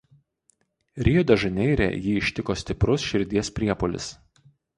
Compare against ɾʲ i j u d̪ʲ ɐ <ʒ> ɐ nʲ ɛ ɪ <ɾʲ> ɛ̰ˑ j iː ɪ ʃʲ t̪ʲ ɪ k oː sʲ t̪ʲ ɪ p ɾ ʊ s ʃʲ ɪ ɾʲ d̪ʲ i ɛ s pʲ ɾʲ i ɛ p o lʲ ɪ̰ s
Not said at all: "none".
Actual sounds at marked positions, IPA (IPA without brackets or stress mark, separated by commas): ʒ, ɾʲ